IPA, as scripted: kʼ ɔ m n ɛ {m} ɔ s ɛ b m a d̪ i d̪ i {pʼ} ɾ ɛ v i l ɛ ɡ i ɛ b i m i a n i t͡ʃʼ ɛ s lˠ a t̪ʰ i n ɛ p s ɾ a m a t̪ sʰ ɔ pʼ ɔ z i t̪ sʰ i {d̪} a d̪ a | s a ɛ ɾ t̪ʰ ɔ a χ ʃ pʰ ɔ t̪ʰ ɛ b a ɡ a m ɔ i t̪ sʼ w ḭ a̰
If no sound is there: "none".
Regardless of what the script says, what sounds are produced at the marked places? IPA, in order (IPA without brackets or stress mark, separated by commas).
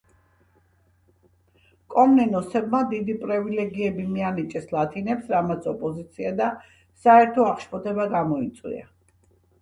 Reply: n, pʼ, none